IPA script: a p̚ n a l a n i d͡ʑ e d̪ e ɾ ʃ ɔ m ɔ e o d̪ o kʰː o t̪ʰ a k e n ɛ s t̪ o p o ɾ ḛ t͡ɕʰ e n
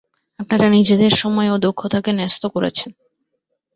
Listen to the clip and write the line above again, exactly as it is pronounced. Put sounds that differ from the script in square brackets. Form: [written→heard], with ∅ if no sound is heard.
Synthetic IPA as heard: a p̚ n a [l→ɾ] a n i d͡ʑ e d̪ e ɾ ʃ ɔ m ɔ e o d̪ o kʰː o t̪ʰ a k e n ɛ s t̪ o [p→k] o ɾ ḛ t͡ɕʰ e n